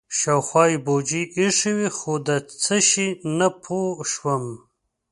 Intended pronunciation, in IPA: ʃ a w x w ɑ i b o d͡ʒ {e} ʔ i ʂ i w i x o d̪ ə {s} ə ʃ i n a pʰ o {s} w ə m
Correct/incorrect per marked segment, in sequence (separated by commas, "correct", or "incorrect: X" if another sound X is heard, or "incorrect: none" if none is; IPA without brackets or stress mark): incorrect: i, incorrect: t͡s, incorrect: ʃ